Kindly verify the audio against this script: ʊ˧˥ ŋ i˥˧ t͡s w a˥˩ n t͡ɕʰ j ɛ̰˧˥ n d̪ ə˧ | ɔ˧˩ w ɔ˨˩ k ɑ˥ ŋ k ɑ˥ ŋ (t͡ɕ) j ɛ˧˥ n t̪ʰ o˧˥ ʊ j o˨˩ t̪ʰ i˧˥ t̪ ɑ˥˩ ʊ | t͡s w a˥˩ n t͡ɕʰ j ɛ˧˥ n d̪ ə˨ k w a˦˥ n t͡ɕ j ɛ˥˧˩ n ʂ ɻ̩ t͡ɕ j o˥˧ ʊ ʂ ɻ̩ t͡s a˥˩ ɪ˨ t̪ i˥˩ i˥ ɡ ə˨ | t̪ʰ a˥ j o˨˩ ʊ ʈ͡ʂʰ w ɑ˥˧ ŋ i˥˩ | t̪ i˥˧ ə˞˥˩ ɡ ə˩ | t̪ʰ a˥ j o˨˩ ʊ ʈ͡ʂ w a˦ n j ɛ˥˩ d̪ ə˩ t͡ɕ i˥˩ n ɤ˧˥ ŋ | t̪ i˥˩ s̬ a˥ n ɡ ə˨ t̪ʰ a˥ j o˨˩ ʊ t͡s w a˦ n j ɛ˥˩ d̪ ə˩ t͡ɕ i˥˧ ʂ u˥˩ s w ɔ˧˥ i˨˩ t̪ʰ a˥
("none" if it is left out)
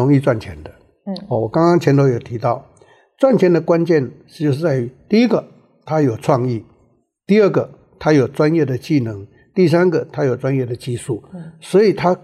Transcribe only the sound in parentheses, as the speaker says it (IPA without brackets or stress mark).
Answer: t͡ɕʰ